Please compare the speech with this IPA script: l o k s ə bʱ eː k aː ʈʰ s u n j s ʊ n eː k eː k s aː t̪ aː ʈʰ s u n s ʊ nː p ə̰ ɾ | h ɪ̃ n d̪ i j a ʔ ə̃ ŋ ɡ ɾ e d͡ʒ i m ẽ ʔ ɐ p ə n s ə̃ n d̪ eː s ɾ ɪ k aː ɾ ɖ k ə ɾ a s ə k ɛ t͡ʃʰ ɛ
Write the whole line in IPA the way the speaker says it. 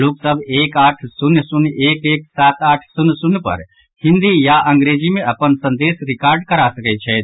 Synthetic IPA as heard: l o k s ə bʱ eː k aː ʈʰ s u n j s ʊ n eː k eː k s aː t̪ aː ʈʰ s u n s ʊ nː p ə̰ ɾ | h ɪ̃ n d̪ i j a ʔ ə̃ ŋ ɡ ɾ e d͡ʒ i m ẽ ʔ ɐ p ə n s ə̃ n d̪ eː s ɾ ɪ k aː ɾ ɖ k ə ɾ a s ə k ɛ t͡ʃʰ ɛ